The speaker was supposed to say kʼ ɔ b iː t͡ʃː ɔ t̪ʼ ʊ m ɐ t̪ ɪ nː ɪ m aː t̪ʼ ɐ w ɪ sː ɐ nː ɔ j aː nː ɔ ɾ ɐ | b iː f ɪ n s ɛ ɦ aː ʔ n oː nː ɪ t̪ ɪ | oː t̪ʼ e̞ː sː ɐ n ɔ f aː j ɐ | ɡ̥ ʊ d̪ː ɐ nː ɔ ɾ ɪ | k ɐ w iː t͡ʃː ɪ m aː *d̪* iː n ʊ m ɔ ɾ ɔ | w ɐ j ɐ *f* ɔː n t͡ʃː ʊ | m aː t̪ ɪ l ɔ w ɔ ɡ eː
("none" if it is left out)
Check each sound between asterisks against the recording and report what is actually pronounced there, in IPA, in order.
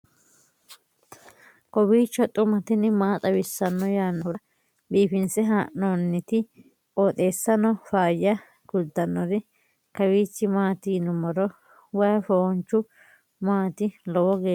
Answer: t̪, f

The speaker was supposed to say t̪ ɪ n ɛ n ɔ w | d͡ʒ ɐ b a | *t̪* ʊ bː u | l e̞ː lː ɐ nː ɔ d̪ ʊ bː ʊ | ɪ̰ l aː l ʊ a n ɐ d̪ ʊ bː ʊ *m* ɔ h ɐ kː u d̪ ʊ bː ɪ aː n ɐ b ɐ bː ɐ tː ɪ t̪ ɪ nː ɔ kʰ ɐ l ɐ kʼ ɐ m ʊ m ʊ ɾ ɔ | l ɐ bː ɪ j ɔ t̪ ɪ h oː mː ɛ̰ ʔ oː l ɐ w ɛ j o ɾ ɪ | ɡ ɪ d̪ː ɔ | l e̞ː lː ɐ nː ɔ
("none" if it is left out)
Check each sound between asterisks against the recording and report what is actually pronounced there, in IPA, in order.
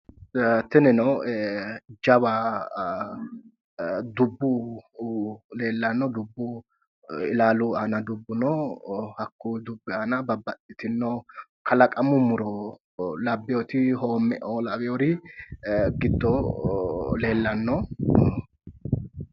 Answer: d̪, n

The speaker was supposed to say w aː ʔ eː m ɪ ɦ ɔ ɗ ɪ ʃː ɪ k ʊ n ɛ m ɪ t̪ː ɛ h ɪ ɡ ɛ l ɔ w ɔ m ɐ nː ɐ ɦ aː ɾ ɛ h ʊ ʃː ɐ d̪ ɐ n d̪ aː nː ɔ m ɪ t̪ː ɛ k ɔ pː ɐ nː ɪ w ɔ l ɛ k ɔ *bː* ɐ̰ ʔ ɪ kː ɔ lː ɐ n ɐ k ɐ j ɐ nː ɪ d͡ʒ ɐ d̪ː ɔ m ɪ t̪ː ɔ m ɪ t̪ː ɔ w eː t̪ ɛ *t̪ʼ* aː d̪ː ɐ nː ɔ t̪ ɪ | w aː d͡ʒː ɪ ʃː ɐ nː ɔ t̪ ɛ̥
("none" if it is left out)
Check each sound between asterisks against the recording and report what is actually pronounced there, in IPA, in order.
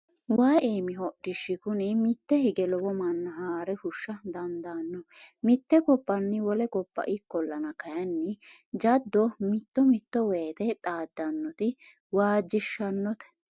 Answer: pː, t̪ʼ

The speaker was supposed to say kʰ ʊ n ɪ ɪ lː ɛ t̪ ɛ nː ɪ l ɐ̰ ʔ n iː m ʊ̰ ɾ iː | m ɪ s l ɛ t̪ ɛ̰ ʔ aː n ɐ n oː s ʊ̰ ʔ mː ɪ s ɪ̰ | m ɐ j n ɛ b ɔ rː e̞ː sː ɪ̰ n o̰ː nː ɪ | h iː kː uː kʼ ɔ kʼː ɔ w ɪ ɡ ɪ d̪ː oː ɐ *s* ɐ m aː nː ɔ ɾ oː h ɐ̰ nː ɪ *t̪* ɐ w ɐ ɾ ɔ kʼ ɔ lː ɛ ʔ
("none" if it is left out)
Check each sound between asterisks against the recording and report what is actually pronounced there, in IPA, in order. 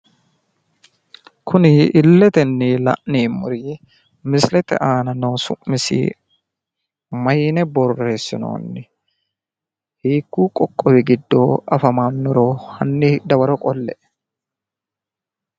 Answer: f, d̪

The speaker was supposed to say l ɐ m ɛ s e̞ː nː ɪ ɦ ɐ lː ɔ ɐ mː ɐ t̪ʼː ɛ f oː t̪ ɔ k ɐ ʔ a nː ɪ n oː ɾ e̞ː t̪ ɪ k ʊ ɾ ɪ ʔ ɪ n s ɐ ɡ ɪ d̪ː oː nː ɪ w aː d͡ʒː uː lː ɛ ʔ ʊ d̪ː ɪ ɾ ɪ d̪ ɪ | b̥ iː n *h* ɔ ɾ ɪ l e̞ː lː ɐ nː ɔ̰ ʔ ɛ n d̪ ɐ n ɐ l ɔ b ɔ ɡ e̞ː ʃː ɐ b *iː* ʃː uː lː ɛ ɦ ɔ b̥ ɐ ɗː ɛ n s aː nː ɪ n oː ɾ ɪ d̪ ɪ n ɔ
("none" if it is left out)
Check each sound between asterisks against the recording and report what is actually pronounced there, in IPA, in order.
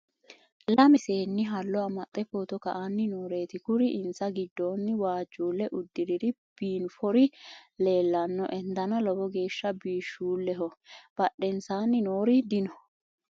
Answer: f, iː

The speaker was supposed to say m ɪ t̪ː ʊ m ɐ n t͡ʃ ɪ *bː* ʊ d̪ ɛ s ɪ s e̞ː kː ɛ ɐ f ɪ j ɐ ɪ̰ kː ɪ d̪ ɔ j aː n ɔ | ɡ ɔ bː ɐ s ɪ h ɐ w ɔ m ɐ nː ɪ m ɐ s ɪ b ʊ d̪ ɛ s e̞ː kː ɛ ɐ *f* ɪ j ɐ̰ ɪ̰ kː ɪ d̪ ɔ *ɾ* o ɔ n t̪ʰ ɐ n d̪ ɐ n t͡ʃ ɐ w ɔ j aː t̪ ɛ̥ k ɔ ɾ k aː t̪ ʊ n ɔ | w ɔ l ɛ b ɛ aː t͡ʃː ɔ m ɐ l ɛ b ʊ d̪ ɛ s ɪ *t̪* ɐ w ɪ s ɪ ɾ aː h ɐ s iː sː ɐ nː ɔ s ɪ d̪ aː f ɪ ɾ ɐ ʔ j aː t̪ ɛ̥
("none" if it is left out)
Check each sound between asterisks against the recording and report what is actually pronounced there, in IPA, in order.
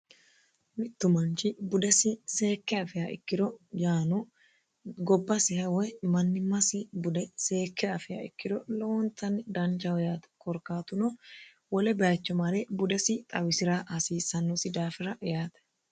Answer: b, f, l, t̪ʼ

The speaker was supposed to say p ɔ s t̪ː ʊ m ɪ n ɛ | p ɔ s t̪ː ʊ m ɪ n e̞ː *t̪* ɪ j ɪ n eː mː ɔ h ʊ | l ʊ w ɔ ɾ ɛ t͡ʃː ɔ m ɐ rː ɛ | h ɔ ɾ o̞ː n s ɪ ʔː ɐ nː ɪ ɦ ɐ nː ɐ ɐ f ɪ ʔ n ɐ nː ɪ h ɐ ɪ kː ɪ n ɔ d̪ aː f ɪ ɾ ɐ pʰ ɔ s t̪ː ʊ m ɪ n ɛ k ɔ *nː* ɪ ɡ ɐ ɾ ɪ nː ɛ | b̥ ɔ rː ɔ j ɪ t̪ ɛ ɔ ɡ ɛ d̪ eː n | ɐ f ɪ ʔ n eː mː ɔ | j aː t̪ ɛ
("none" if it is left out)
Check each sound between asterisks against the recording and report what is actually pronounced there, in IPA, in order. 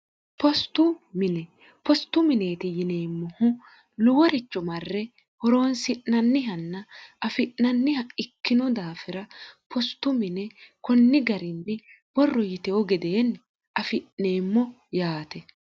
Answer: t̪, nː

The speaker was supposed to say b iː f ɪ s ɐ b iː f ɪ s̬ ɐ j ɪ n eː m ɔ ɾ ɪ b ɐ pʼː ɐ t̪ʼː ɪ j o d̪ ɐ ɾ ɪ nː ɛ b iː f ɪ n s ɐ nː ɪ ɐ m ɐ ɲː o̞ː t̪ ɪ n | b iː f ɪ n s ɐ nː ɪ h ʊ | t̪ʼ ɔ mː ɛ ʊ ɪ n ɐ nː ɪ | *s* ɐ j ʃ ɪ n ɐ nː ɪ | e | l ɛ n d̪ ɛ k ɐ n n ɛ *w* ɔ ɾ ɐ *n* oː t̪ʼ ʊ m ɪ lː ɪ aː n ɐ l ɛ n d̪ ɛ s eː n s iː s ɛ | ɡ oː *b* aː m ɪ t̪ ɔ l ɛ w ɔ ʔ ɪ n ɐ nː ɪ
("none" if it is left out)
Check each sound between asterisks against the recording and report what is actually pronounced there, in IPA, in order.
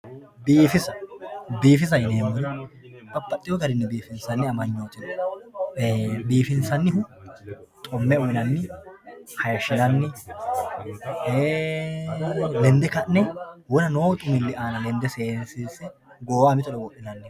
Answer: h, w, n, w

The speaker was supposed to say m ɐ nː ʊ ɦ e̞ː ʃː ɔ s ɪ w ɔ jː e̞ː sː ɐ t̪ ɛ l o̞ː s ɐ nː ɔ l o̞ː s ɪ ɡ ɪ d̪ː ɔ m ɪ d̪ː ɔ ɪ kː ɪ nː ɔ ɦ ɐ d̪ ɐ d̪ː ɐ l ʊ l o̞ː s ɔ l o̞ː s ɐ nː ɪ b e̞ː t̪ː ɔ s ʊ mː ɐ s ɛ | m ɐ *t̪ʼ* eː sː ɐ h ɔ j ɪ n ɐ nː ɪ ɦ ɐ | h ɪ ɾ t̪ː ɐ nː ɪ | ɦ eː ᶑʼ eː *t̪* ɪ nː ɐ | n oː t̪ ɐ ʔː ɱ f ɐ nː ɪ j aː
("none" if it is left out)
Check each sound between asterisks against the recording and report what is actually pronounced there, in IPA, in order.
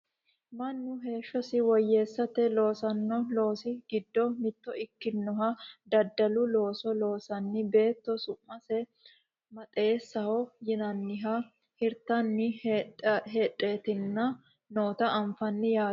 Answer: t̪ʼ, t̪

